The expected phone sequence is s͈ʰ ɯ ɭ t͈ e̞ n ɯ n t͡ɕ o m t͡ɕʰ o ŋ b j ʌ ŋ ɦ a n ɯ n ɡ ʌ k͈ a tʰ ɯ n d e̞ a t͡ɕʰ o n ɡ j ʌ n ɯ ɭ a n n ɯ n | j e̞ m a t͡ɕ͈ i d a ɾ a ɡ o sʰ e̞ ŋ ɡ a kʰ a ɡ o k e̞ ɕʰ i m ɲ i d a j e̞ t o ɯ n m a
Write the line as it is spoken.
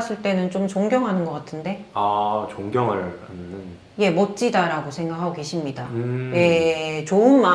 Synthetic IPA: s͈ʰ ɯ ɭ t͈ e̞ n ɯ n t͡ɕ o m t͡ɕ o ŋ ɡ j ʌ ŋ ɦ a n ɯ n ɡ ʌ k͈ a tʰ ɯ n d e̞ a t͡ɕ o ŋ ɡ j ʌ ŋ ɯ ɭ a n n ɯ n | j e̞ m ʌ t͡ɕ͈ i d a ɾ a ɡ o sʰ e̞ ŋ ɡ a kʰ a ɡ o k e̞ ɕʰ i m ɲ i d a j e̞ t͡ɕ o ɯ n m a